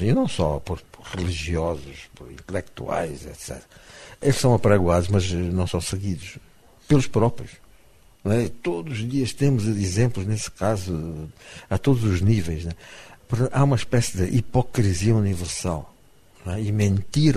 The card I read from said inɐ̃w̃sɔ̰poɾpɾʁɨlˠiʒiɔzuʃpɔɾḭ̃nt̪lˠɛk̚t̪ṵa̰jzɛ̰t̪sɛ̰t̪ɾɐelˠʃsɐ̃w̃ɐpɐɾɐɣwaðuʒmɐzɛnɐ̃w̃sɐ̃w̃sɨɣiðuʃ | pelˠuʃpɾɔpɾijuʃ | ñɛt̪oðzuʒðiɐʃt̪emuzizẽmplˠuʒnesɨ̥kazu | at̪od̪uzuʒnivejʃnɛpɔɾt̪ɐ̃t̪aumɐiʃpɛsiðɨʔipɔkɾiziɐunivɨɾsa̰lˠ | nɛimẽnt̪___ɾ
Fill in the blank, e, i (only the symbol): i